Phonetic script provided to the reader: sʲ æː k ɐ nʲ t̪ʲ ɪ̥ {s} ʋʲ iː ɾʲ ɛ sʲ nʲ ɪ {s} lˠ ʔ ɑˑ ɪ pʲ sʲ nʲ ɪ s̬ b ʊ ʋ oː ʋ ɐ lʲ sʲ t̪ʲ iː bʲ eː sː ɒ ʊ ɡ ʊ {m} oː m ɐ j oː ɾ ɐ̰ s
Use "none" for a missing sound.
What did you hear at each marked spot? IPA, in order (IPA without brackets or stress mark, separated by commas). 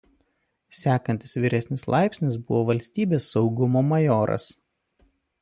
s, s, m